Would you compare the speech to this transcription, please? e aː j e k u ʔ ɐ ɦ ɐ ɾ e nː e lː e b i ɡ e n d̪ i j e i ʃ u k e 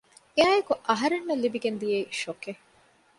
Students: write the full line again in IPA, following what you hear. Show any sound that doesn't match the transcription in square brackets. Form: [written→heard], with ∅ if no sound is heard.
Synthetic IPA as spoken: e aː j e k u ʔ ɐ ɦ ɐ ɾ e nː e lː [e→i] b i ɡ e n d̪ i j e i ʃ [u→o] k e

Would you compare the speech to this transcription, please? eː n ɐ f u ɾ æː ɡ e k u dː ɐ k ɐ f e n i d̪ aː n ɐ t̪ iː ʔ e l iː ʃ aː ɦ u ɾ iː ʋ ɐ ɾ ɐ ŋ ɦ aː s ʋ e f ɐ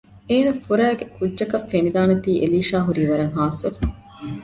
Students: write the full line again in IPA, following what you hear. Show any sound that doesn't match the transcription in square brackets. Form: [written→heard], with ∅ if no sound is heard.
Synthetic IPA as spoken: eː n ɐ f u ɾ æː ɡ e k u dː ɐ k ɐ f e n i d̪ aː n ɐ t̪ iː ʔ e l iː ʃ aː ɦ u ɾ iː ʋ ɐ ɾ ɐ ŋ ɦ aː s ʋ e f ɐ

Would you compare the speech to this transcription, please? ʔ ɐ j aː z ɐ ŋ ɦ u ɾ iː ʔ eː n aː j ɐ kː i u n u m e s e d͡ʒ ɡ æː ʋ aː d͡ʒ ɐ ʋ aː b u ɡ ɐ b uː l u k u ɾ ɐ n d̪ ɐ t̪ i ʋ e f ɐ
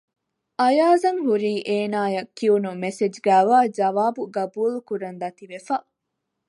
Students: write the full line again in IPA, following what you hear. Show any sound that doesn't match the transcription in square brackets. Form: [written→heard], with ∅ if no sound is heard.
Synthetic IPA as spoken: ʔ ɐ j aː z ɐ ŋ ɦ u ɾ iː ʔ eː n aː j ɐ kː i u n u m e s e d͡ʒ ɡ æː ʋ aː d͡ʒ ɐ ʋ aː b u ɡ ɐ b uː l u k u ɾ ɐ n d̪ ɐ t̪ i ʋ e f ɐ

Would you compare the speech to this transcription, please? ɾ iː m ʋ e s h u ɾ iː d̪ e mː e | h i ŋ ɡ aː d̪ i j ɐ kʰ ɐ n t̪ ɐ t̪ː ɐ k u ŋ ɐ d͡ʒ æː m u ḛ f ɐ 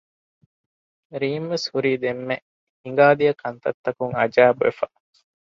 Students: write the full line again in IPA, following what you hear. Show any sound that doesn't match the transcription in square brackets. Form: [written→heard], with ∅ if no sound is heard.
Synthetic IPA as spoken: ɾ iː m ʋ e s h u ɾ iː d̪ e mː e | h i ŋ ɡ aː d̪ i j ɐ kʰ ɐ n t̪ ɐ t̪ː ɐ k u ŋ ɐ d͡ʒ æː [m→b] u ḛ f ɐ

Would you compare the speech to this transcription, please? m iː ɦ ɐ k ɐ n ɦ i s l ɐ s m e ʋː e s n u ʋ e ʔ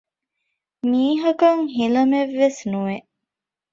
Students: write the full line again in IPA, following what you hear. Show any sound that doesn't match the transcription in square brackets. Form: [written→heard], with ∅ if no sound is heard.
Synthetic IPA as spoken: m iː ɦ ɐ k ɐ [n→ŋ] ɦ i [s→∅] l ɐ [s→∅] m e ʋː e s n u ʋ e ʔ

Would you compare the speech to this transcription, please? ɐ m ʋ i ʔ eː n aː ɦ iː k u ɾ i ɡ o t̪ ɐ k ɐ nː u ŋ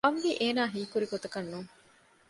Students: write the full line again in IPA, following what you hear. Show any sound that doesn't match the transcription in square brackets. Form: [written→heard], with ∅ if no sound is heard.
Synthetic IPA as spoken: ɐ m ʋ i ʔ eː n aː ɦ iː k u ɾ i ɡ o t̪ ɐ k ɐ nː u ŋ

